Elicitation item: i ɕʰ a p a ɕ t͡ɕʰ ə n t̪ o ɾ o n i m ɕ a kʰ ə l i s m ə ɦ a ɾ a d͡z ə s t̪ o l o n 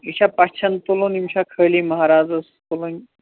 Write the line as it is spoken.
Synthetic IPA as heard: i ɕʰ a p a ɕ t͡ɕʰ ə n t̪ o l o n i m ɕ a kʰ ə l i m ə ɦ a ɾ a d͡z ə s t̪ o l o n